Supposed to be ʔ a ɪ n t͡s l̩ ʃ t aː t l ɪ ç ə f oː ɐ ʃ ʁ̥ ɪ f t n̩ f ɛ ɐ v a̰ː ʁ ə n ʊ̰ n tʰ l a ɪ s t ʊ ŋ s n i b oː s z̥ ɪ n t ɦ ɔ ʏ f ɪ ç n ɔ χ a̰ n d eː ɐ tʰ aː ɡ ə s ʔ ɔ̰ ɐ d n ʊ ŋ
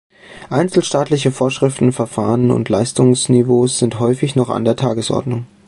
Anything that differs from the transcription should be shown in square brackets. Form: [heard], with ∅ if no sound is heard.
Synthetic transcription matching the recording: ʔ a ɪ n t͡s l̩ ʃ t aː t l ɪ ç ə f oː ɐ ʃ ʁ̥ ɪ f t n̩ f ɛ ɐ [f] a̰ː ʁ ə n ʊ̰ n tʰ l a ɪ s t ʊ ŋ s n i [v] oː s z̥ ɪ n t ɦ ɔ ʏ f ɪ ç n ɔ χ a̰ n d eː ɐ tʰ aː ɡ ə s ʔ ɔ̰ ɐ d n ʊ ŋ